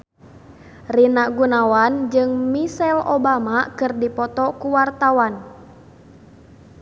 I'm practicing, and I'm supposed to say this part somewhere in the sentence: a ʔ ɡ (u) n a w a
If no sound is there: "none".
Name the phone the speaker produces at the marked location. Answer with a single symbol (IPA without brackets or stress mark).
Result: u